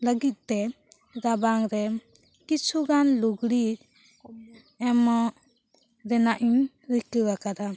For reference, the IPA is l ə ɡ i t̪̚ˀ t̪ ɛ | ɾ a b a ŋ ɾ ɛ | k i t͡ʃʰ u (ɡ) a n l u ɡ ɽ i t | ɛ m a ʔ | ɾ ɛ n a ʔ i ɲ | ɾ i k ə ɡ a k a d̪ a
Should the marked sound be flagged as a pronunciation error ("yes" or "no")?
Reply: no